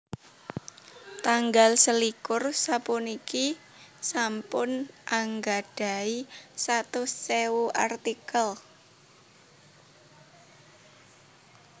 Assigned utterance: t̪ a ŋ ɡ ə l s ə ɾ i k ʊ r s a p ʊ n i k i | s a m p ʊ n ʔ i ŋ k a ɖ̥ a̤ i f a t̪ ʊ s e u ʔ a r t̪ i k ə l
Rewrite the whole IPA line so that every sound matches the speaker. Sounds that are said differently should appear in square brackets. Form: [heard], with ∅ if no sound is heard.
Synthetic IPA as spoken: t̪ a ŋ ɡ [a] l s ə [l] i k ʊ r s a p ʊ n i k i | s a m p ʊ n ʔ [a] ŋ [ɡ] a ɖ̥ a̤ i [s] a t̪ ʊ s e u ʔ a r t̪ i k ə l

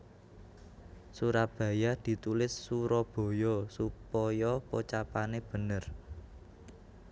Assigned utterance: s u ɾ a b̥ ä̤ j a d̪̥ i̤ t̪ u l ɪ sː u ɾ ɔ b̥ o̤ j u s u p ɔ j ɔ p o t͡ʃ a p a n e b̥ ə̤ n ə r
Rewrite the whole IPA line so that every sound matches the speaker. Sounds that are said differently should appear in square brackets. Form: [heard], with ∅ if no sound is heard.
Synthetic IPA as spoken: s u ɾ a b̥ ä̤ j a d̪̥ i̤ t̪ u l ɪ sː u ɾ ɔ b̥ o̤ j [ɔ] s u p ɔ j ɔ p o t͡ʃ a p a n e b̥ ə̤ n ə r

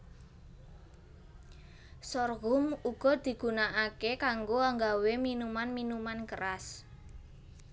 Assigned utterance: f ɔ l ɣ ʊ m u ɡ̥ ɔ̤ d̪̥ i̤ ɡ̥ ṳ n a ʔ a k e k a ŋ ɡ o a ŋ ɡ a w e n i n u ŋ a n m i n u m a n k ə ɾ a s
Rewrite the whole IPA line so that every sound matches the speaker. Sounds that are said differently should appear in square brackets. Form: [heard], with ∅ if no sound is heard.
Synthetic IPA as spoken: [s] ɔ [r] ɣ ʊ m u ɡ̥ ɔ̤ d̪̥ i̤ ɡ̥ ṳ n a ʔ a k e k a ŋ ɡ o a ŋ ɡ a w e [m] i n u [m] a n m i n u m a n k ə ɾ a s

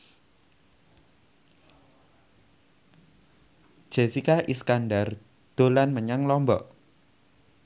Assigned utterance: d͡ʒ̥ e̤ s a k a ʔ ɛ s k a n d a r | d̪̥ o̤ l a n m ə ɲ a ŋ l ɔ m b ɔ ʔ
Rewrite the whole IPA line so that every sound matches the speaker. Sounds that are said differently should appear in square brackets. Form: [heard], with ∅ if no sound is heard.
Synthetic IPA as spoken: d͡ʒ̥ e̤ s [i] k a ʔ [i] s k a n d a r | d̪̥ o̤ l a n m ə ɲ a ŋ l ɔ m b ɔ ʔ

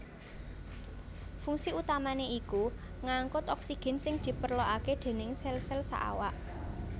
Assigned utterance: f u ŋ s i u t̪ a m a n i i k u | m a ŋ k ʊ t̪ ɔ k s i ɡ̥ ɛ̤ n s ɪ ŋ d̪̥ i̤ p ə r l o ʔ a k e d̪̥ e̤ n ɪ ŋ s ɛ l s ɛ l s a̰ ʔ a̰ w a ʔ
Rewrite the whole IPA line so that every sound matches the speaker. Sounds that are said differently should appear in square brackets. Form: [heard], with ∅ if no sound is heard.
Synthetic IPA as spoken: f u ŋ s i u t̪ a m a n [e] i k u | [ŋ] a ŋ k ʊ t̪ ɔ k s i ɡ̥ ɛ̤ n s ɪ ŋ d̪̥ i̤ p ə r l o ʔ a k e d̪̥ e̤ n ɪ ŋ s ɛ l s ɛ l s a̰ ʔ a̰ w a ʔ

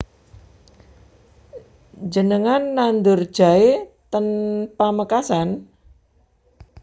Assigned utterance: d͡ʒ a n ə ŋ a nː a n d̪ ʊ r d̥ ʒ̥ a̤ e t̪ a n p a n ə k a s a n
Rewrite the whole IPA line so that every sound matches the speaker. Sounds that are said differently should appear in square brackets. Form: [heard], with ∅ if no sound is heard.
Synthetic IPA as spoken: d͡ʒ [ə] n ə ŋ a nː a n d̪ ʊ r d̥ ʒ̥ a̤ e t̪ [ə] n p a [m] ə k a s a n

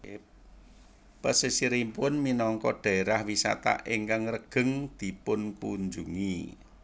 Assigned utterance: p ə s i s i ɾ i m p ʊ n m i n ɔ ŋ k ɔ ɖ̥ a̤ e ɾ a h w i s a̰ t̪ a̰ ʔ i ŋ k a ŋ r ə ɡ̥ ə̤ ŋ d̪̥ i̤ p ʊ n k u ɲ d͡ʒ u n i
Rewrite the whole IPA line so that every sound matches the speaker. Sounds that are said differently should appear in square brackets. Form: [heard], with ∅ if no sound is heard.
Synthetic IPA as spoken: p ə s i s i ɾ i m p ʊ n m i n ɔ ŋ k ɔ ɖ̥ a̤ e ɾ a h w i s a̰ t̪ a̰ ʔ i ŋ k a ŋ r ə ɡ̥ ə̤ ŋ d̪̥ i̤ p ʊ n k u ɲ d͡ʒ u [ŋ] i

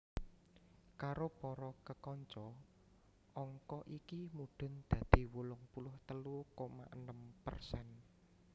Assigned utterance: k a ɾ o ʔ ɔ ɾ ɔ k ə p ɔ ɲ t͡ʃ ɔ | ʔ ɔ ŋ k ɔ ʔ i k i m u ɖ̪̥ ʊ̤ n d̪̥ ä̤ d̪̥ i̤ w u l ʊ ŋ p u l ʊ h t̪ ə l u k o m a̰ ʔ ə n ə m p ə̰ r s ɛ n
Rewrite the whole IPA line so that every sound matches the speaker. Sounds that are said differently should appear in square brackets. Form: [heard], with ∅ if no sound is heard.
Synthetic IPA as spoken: k a ɾ o [p] ɔ ɾ ɔ k ə [k] ɔ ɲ t͡ʃ ɔ | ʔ ɔ ŋ k ɔ ʔ i k i m u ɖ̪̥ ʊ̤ n d̪̥ ä̤ d̪̥ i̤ w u l ʊ ŋ p u l ʊ h t̪ ə l u k o m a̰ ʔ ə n ə m p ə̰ r s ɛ n

